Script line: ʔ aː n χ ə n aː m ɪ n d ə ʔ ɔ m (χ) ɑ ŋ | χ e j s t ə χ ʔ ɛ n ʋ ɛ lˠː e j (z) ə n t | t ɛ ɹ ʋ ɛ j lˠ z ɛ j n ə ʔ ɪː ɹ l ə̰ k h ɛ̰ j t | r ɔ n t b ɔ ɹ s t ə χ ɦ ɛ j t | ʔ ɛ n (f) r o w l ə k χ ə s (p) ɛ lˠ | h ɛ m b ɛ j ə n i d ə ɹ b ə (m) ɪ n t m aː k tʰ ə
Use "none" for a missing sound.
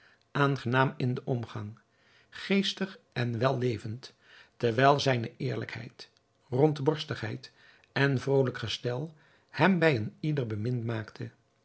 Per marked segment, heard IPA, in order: χ, v, v, t, m

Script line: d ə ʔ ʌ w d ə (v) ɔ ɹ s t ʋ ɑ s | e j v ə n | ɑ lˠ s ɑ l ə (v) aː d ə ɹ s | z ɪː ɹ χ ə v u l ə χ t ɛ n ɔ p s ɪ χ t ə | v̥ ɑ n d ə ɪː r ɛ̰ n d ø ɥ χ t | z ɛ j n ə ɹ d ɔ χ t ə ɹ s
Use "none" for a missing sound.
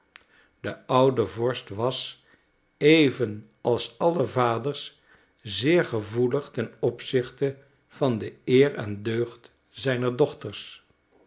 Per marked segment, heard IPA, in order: v, v

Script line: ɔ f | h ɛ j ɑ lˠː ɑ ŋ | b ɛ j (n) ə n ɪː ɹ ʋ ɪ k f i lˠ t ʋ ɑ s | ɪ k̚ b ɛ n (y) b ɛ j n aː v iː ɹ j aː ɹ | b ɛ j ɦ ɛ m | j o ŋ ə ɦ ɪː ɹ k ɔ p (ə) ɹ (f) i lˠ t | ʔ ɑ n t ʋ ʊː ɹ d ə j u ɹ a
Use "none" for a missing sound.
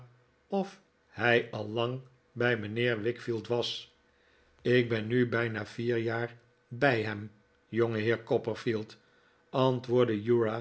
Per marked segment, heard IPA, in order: m, y, ə, f

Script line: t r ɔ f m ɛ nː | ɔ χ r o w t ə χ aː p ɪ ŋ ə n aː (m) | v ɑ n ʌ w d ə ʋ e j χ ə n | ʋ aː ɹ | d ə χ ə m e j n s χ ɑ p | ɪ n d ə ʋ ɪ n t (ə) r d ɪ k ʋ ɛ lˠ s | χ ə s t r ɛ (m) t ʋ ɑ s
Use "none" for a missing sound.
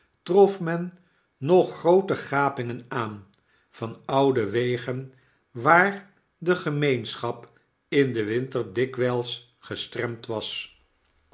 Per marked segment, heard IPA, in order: n, ə, m

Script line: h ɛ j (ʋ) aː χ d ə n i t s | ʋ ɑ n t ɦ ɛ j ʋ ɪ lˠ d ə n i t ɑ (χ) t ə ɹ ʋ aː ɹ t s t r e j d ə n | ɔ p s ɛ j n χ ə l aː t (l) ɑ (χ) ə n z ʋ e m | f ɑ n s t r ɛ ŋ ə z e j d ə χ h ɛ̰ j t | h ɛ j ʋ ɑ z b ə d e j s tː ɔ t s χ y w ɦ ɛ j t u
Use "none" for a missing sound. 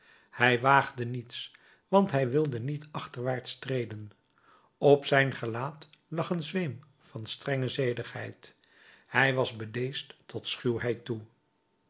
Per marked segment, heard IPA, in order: ʋ, χ, l, χ

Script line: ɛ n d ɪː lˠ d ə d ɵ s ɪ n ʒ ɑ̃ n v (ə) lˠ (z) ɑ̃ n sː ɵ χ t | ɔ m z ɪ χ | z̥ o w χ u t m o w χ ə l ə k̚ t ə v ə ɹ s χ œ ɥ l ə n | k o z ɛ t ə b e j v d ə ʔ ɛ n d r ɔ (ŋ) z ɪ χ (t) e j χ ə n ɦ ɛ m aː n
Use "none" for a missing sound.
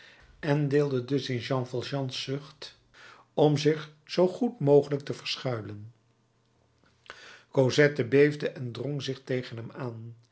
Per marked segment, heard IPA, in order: ɑ, ʒ, ŋ, t

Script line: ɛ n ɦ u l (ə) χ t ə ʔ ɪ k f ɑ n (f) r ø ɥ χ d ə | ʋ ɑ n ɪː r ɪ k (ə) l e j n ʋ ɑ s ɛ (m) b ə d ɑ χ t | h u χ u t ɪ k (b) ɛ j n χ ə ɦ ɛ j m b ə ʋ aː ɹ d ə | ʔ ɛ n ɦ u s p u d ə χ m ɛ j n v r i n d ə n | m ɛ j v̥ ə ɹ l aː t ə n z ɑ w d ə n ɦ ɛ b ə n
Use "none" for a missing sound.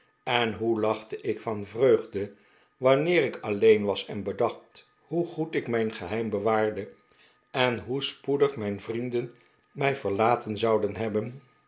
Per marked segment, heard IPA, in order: ɑ, v, ɑ, n, m

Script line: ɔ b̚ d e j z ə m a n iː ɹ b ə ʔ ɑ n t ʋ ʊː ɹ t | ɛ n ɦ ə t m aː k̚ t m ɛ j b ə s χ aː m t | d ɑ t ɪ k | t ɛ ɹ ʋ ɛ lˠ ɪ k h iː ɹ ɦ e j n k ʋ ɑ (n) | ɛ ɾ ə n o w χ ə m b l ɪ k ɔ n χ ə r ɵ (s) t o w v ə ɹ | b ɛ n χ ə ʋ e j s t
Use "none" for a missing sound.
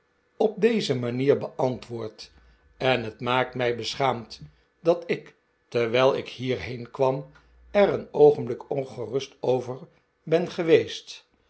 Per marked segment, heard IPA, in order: m, s

